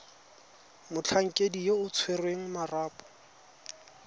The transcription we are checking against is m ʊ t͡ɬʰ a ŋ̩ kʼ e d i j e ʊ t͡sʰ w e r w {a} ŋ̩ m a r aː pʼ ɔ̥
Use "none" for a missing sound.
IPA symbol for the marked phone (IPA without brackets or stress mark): e